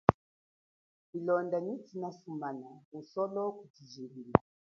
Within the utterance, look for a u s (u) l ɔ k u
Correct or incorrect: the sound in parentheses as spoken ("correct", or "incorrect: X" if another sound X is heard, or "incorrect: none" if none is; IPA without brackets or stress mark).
incorrect: ɔ